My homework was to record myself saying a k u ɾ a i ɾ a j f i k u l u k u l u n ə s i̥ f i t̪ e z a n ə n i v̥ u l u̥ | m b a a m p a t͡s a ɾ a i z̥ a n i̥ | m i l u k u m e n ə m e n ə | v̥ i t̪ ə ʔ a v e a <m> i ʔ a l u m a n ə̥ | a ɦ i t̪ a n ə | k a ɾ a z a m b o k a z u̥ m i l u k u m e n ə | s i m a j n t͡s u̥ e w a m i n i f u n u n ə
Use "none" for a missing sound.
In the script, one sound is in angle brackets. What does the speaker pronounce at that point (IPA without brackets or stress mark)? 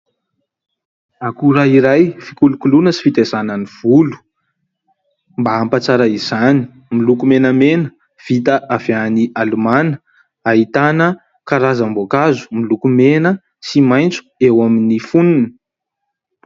n